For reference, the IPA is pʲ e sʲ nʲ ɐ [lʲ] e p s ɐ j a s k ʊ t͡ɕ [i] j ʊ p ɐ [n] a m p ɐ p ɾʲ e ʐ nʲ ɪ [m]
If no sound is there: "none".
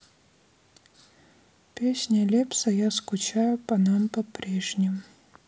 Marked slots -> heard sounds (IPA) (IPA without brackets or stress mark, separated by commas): lʲ, a, n, m